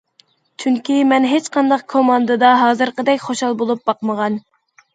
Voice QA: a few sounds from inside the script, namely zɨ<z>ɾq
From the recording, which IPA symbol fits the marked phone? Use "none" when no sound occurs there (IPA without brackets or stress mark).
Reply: none